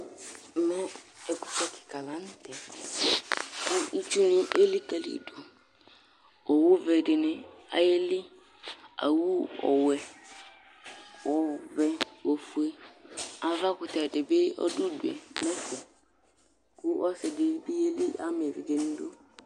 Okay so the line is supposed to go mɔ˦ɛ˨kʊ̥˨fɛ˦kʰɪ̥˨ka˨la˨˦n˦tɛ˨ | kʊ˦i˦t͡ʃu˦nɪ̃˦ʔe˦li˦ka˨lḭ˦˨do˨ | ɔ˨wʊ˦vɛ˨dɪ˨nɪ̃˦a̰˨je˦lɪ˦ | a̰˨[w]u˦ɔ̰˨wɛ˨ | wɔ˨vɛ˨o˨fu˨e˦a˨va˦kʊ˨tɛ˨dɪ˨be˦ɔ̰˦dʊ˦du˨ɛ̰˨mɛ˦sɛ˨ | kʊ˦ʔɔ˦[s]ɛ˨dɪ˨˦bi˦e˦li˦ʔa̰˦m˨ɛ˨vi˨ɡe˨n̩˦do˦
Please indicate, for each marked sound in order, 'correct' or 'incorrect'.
correct, correct

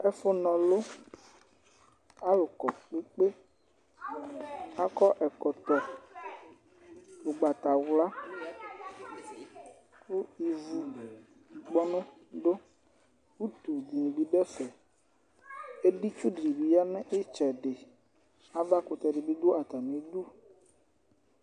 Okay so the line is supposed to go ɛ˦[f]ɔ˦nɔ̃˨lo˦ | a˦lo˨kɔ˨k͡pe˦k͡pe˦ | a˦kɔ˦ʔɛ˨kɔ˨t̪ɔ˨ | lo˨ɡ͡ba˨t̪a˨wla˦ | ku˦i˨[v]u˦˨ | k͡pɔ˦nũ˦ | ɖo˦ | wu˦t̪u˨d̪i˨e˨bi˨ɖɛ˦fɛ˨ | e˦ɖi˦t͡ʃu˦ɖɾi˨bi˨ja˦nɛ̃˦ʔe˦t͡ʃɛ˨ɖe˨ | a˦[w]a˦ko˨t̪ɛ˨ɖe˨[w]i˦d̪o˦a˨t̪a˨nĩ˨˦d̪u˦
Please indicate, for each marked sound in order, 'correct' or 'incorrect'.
correct, correct, incorrect, incorrect

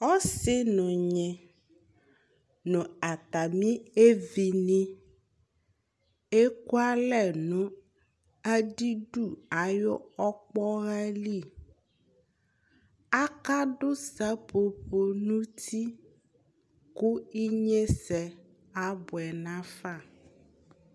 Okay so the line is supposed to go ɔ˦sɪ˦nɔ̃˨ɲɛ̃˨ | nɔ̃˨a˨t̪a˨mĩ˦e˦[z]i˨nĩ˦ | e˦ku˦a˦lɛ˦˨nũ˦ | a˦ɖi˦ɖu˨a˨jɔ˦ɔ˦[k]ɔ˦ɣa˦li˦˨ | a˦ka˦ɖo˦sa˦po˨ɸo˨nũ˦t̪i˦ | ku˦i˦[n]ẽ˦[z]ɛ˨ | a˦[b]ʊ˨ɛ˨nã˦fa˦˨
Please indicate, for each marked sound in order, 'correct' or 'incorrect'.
incorrect, incorrect, incorrect, incorrect, correct

